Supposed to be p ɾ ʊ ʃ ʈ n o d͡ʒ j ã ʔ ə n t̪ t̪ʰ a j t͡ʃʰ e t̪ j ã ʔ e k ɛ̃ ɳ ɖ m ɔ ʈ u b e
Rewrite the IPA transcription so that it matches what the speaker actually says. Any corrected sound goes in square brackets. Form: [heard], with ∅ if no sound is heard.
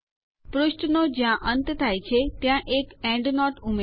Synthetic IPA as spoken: p ɾ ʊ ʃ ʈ n o d͡ʒ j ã ʔ ə n t̪ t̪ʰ a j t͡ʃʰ e t̪ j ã ʔ e k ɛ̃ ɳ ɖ [n] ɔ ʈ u [m] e